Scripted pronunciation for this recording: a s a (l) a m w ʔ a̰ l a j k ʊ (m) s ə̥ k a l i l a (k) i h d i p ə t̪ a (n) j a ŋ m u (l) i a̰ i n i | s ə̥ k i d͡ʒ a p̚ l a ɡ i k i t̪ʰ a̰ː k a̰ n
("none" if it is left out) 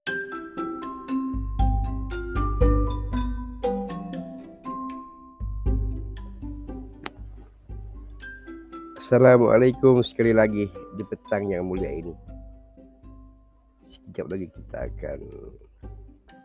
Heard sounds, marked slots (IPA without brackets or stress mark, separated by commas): l, m, ɡ, ŋ, l